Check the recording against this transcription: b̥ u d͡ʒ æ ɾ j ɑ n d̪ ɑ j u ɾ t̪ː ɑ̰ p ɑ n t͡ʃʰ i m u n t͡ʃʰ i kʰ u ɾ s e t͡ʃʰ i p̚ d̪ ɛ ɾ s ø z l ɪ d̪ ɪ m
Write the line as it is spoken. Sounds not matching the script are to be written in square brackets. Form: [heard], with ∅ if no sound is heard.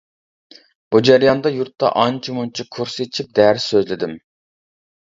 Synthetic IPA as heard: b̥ u d͡ʒ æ ɾ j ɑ n d̪ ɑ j u ɾ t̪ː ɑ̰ [ʔ] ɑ n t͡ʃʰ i m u n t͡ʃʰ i kʰ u ɾ s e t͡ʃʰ i p̚ d̪ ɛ ɾ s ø z l ɪ d̪ ɪ m